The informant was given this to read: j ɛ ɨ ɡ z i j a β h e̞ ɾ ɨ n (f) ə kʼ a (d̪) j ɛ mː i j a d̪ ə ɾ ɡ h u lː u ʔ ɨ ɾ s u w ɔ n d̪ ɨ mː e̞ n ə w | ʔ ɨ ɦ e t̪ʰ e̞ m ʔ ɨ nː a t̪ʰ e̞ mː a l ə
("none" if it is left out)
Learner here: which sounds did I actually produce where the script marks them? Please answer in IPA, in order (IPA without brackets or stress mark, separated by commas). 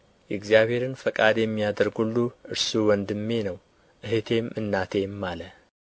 f, d̪